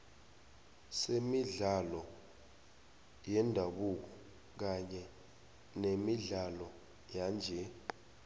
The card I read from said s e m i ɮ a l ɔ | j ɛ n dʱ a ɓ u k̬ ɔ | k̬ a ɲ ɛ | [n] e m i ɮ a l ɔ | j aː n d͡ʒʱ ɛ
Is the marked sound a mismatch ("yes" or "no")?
no